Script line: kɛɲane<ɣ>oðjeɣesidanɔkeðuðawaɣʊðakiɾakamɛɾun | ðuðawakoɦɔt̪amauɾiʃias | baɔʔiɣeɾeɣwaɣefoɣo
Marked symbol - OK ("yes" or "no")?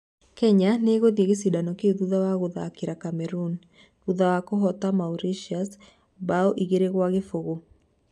yes